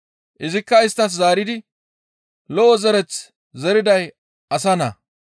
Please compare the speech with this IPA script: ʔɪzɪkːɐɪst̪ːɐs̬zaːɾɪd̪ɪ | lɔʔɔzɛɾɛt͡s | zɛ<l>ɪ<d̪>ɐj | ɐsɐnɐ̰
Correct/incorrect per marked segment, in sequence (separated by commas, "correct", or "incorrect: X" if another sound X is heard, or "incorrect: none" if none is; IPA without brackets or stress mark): incorrect: ɾ, correct